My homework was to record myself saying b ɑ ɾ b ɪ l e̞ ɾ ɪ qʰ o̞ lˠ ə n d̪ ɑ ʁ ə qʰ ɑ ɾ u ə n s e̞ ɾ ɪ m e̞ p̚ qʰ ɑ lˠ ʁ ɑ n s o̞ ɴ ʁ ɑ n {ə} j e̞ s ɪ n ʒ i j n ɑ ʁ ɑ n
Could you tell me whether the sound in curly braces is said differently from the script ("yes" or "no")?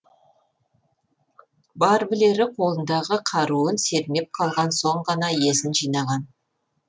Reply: yes